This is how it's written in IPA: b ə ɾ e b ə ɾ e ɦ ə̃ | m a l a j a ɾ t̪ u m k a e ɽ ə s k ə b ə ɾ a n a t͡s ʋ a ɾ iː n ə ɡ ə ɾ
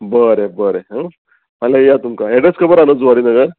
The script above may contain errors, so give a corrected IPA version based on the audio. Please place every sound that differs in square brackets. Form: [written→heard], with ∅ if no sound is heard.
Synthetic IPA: b ə ɾ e b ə ɾ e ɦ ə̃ | m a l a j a [ɾ→∅] t̪ u m k a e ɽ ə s k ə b ə ɾ a n [a→ə] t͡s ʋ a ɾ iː n ə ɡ ə ɾ

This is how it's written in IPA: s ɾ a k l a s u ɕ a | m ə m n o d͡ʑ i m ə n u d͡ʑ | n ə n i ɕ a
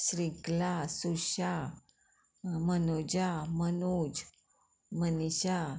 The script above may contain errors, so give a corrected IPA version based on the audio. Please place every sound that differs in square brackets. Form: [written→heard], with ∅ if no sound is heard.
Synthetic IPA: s ɾ [a→i] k l a s u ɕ a | m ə [m→∅] n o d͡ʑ [i→a] m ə n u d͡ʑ | [n→m] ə n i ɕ a

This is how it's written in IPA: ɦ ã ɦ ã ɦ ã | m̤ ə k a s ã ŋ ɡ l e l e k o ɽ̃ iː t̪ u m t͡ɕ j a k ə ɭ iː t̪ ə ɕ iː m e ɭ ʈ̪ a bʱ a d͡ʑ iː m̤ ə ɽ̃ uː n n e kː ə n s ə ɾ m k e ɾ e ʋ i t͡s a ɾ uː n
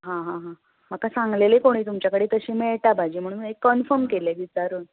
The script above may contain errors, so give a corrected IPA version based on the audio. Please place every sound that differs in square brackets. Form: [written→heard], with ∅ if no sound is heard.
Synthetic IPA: ɦ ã ɦ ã ɦ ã | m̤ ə k a s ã ŋ ɡ l e l e k o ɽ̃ iː t̪ u m t͡ɕ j a k ə [ɭ→ɽ] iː t̪ ə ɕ iː m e ɭ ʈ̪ a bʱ a d͡ʑ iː m̤ ə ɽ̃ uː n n e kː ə n [s→f] ə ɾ m k e [ɾ→l] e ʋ i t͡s a ɾ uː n

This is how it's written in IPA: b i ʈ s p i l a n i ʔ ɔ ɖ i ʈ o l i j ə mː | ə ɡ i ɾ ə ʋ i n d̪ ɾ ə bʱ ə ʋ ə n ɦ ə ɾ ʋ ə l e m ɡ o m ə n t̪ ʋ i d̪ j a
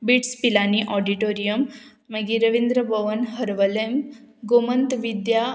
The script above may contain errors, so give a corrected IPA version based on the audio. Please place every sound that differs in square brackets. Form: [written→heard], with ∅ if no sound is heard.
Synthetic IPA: b i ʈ s p i l a n i ʔ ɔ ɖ i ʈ o [l→ɾ] i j ə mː | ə ɡ i ɾ ə ʋ i n d̪ ɾ ə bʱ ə ʋ ə n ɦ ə ɾ ʋ ə l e m ɡ o m ə n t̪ ʋ i d̪ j a

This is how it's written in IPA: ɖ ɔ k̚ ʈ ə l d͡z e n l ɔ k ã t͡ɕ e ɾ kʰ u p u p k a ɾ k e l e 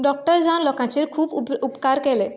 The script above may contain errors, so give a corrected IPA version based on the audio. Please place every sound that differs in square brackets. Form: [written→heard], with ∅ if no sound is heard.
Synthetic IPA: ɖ ɔ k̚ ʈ ə [l→ɾ] d͡z [e→a] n l ɔ k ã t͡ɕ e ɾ kʰ [u→uː] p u p k a ɾ k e l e

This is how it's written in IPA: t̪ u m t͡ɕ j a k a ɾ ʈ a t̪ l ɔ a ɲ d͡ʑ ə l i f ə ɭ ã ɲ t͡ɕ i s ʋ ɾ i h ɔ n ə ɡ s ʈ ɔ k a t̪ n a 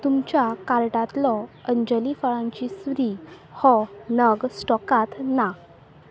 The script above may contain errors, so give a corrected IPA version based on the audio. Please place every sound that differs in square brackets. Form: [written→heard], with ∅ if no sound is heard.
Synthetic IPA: t̪ u m t͡ɕ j a k a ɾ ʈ a t̪ l ɔ [a→ə] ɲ d͡ʑ ə l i f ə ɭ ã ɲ t͡ɕ i s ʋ ɾ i h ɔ n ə ɡ s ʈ ɔ k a t̪ n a

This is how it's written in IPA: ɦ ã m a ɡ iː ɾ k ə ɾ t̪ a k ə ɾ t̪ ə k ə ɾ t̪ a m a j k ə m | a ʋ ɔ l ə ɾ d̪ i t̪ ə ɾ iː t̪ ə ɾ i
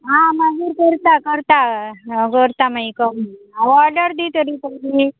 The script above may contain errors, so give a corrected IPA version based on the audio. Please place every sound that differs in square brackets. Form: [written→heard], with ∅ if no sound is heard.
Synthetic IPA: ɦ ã m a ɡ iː ɾ k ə ɾ t̪ a k ə ɾ t̪ [ə→a] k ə ɾ t̪ a m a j k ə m | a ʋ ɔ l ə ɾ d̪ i t̪ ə ɾ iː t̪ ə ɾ i

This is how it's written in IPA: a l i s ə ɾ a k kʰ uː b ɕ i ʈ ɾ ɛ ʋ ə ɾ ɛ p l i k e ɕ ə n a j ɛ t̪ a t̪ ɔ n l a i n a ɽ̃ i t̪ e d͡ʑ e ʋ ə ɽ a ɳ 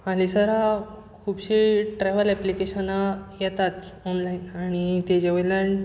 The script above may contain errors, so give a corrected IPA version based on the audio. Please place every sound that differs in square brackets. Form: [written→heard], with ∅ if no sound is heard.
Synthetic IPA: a l i s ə ɾ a k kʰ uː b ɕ i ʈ ɾ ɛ ʋ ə [ɾ→l] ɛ p l i k e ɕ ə n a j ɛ t̪ a t̪ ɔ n l a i n a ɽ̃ i t̪ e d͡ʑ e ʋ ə [ɽ→l] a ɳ

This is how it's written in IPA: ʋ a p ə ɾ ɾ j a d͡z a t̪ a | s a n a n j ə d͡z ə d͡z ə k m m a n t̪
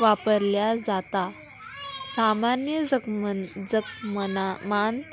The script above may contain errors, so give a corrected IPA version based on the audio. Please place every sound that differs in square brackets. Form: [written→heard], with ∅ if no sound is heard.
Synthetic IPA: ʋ a p ə ɾ [ɾ→l] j a d͡z a t̪ a | s a [n→m] a n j ə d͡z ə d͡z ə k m m a n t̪

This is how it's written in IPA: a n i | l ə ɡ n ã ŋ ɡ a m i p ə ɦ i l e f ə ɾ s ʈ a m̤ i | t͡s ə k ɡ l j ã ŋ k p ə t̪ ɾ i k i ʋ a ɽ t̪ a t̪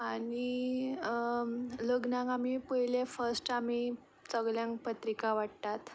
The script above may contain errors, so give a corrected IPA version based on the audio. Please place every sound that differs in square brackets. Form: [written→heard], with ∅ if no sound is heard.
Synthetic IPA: a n i | l ə ɡ n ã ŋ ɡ a m i p ə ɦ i l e f ə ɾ s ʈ a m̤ i | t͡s ə [k→∅] ɡ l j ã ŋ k p ə t̪ ɾ i k [i→a] ʋ a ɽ t̪ a t̪

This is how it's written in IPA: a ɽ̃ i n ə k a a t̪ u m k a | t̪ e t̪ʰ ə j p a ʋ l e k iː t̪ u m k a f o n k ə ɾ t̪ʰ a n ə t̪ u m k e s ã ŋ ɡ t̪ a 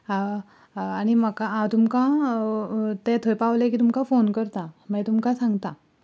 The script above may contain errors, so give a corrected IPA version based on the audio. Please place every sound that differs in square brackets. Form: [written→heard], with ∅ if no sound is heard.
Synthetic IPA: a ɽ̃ i [n→m] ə k a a t̪ u m k a | t̪ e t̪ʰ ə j p a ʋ l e k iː t̪ u m k a f o n k ə ɾ [t̪ʰ→t̪] a [n→m] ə t̪ u m k [e→a] s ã ŋ ɡ t̪ a

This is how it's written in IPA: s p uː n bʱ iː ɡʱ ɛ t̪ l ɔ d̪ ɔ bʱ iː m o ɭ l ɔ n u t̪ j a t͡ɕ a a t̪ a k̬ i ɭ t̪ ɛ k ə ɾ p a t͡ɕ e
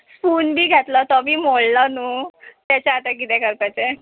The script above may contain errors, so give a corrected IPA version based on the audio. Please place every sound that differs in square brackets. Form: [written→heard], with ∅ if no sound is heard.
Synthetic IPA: s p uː n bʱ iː ɡʱ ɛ t̪ l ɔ [d̪→t̪] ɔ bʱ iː m o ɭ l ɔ n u t̪ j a t͡ɕ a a t̪ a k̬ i [ɭ→∅] t̪ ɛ k ə ɾ p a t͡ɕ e

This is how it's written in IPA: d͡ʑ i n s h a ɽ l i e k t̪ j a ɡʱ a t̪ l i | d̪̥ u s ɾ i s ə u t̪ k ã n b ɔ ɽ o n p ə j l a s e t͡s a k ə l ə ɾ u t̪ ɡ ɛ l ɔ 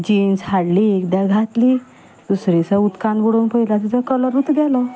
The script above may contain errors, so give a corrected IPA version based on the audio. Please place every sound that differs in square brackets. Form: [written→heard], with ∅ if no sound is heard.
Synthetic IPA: d͡ʑ i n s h a ɽ l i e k [t̪→d̪] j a ɡʱ a t̪ l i | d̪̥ u s ɾ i s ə u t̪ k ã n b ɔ ɽ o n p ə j l a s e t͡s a k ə l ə ɾ u t̪ ɡ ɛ l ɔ

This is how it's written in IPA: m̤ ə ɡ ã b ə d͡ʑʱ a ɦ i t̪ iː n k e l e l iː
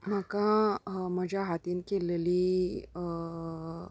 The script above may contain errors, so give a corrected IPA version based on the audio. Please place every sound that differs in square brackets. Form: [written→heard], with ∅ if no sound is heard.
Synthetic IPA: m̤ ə [ɡ→k] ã [b→m] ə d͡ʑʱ a ɦ [i→a] t̪ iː n k e l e l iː

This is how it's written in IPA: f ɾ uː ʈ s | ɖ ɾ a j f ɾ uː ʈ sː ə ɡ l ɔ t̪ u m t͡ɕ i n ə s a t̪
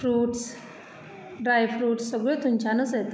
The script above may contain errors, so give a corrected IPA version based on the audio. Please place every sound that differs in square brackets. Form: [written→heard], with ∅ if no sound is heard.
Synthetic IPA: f ɾ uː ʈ s | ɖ ɾ a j f ɾ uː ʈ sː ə ɡ [l→ɭ] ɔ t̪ u m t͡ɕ [i→a] n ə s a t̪

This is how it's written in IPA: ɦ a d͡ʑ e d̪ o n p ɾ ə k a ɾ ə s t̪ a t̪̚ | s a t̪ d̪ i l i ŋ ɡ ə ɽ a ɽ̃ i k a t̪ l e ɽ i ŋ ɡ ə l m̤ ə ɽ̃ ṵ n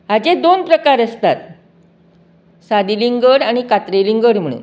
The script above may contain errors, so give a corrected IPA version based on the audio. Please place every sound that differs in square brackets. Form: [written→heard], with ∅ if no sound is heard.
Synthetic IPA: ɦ a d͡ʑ e d̪ o n p ɾ ə k a ɾ ə s t̪ a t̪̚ | s a [t̪→∅] d̪ i l i ŋ ɡ ə ɽ a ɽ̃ i k a t̪ [l→ɾ] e [ɽ→l] i ŋ ɡ ə [l→ɽ] m̤ ə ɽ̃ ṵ n

